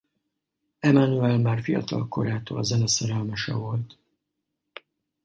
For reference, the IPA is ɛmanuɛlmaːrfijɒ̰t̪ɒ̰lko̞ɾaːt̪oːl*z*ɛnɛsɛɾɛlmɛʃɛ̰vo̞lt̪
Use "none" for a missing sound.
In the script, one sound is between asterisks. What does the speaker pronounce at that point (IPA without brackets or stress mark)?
z